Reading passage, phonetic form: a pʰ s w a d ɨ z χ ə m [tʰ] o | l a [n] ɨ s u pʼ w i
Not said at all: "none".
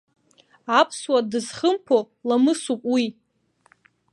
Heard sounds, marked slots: pʰ, m

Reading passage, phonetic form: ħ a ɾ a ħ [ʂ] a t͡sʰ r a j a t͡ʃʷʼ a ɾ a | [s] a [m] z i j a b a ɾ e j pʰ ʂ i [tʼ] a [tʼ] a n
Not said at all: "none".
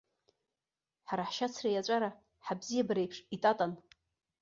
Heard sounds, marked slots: ʃ, ħ, b, tʼ, tʼ

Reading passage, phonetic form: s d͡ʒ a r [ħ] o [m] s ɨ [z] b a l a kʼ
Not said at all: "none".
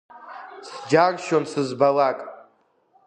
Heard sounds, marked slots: ʃ, n, z

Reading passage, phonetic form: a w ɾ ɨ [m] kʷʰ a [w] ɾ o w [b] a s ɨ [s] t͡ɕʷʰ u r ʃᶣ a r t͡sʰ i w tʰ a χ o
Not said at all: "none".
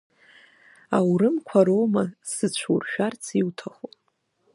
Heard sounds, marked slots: m, none, m, none

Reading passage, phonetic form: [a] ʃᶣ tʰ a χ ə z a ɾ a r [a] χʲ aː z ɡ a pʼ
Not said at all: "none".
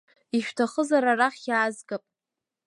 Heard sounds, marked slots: i, a

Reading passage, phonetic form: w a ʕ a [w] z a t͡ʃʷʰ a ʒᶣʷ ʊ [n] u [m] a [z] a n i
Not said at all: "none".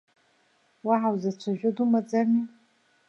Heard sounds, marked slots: w, d, m, d͡z

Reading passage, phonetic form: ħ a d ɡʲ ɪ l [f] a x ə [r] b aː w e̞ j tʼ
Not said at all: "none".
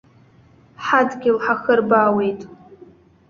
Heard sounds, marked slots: ħ, r

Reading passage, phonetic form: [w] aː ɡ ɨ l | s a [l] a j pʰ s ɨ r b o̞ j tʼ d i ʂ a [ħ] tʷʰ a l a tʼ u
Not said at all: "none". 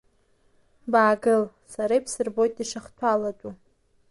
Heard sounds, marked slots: b, ɾ, χ

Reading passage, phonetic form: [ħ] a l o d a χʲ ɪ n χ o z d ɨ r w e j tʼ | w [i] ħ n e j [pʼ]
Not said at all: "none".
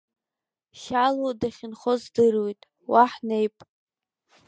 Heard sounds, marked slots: ʃ, a, pʼ

